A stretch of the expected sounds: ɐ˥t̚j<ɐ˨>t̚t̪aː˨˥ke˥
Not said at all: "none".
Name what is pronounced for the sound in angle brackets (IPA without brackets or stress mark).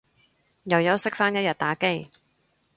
ɐ˨